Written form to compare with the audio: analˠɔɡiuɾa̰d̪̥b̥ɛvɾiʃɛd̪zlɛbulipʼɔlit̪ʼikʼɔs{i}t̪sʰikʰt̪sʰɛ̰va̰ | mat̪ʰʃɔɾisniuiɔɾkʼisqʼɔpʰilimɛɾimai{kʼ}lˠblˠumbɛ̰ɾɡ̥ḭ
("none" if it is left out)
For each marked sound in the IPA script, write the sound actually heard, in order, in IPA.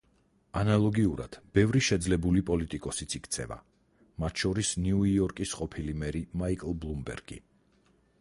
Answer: i, kʼ

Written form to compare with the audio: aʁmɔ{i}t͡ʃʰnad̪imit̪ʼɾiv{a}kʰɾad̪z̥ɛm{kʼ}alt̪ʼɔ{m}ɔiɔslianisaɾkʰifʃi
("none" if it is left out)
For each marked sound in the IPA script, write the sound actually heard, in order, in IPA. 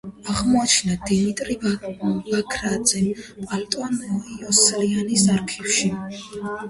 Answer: a, a, pʼ, n

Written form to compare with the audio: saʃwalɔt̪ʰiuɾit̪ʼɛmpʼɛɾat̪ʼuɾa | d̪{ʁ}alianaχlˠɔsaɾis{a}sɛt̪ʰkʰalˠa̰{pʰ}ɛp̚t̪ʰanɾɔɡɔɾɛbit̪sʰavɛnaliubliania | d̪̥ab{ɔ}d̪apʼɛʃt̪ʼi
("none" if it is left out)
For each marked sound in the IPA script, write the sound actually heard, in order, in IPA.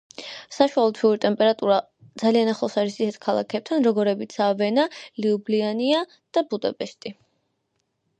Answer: z, i, kʰ, u

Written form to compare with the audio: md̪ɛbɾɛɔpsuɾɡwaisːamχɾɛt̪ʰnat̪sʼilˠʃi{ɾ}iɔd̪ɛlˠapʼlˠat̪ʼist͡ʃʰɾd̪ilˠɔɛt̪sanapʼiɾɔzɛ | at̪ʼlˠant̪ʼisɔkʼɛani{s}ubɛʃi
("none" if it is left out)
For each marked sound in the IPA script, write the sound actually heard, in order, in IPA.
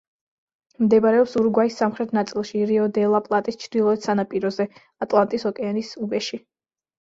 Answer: ɾ, s

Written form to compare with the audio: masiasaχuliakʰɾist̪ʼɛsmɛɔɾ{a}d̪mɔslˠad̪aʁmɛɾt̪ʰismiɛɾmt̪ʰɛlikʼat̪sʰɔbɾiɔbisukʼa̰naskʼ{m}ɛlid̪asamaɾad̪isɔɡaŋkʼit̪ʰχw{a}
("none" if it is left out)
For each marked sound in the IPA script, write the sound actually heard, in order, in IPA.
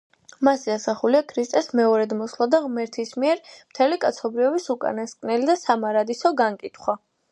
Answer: ɛ, n, a

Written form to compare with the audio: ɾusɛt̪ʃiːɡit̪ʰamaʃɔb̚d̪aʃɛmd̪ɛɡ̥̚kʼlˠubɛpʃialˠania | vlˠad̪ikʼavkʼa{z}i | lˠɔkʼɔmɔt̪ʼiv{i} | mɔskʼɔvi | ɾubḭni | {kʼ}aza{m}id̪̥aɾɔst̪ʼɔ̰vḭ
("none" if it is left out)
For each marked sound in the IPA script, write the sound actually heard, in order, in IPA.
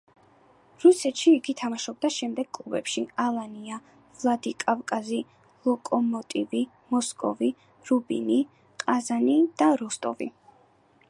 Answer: z, i, qʼ, n

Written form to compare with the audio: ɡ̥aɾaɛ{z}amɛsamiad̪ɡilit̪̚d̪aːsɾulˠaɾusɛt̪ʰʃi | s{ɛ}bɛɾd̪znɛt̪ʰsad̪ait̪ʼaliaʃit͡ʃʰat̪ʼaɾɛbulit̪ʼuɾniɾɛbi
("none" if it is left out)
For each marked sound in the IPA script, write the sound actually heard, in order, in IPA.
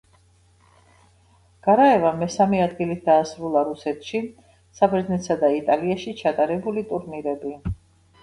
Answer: v, a

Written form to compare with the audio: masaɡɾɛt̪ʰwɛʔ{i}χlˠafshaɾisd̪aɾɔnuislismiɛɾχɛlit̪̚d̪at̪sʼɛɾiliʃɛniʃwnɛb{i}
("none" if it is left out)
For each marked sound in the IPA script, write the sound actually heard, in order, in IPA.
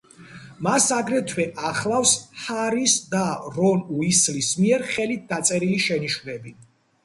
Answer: a, i

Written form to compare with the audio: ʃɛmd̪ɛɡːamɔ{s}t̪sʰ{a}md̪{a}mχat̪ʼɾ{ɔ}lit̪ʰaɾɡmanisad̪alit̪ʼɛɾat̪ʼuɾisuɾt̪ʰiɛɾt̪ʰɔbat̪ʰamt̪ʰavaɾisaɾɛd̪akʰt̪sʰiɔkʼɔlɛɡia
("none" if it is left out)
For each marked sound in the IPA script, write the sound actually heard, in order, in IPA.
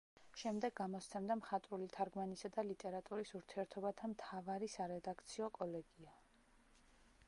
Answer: s, ɛ, a, u

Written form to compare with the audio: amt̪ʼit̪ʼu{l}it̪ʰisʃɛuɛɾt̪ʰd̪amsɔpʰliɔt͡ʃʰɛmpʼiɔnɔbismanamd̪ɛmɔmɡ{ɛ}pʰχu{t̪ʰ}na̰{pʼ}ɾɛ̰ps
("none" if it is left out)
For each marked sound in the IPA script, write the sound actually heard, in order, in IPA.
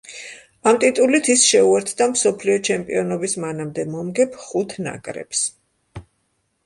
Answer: l, ɛ, t̪ʰ, kʼ

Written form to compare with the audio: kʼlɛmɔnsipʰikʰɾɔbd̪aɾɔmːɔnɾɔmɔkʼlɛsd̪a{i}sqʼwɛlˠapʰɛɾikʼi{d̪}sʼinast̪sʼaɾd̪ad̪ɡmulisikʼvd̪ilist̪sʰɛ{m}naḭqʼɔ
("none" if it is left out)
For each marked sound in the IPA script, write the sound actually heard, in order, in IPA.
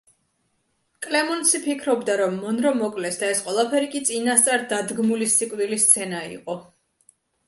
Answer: ɛ, t̪, none

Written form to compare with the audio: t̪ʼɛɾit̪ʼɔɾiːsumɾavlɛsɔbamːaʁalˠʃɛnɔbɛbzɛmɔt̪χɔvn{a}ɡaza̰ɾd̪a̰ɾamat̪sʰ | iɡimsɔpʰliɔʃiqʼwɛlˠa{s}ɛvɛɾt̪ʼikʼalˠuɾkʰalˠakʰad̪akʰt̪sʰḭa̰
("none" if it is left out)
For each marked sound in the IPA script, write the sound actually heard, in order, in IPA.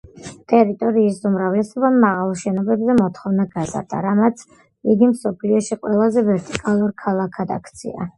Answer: a, z

